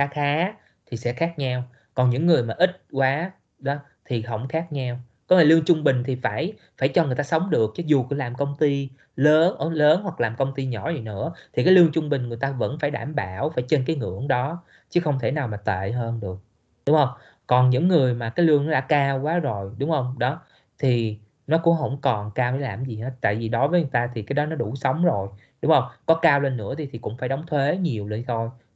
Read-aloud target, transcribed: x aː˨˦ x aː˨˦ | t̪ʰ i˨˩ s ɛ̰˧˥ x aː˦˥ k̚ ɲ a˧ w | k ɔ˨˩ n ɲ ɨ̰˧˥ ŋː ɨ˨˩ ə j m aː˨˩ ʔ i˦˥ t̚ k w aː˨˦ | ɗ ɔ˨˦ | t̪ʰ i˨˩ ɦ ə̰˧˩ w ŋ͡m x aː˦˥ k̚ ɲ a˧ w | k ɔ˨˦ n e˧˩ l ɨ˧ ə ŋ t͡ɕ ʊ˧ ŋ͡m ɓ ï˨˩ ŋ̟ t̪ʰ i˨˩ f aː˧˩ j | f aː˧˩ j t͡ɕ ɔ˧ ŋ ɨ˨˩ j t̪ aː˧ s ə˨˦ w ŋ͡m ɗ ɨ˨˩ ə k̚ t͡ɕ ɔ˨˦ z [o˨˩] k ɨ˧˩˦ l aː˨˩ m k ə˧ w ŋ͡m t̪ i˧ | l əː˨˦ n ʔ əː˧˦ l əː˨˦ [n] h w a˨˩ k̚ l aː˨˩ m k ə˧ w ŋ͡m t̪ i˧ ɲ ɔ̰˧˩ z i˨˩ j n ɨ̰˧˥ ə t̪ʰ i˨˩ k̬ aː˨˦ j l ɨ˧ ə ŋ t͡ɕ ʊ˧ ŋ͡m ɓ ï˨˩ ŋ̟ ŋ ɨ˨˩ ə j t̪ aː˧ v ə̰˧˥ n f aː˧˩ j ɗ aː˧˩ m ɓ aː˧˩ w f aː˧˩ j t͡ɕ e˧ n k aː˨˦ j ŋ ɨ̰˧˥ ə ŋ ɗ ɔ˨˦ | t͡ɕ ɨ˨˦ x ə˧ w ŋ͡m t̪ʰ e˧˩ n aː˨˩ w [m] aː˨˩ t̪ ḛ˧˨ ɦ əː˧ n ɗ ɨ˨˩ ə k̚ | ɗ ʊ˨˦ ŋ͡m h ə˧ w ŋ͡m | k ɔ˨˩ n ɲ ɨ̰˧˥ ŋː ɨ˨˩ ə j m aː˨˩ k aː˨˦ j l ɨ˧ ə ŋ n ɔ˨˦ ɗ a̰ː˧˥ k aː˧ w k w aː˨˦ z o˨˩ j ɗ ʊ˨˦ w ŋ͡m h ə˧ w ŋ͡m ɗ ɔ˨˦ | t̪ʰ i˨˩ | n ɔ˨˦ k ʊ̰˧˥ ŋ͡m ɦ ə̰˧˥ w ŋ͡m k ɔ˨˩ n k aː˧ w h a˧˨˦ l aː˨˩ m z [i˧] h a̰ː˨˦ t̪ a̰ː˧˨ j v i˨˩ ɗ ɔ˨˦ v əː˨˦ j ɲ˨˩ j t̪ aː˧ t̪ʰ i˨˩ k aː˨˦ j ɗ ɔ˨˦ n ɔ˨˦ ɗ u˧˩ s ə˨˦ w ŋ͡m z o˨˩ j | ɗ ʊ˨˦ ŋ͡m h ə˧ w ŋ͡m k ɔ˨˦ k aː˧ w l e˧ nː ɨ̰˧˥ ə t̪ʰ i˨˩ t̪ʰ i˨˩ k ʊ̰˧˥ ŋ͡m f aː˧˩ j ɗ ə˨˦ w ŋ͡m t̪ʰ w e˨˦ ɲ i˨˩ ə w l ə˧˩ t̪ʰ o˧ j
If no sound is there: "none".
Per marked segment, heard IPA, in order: u˨˩, n, m, i˨˩

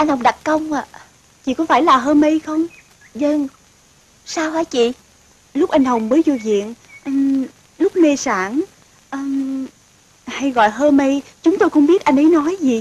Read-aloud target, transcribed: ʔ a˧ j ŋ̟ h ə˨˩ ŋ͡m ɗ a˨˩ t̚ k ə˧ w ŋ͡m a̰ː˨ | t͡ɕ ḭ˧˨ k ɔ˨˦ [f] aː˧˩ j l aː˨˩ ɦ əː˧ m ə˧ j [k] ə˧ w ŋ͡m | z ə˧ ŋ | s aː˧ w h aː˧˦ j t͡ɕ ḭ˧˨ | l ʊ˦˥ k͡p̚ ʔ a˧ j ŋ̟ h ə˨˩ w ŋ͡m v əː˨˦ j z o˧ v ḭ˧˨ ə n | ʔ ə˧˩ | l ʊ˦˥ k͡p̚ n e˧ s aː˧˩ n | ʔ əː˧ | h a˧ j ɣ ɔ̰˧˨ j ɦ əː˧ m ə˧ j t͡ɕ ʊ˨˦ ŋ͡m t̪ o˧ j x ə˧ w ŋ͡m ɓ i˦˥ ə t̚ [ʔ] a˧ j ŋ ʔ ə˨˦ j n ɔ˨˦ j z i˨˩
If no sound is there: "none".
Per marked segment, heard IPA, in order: f, x, ʔ

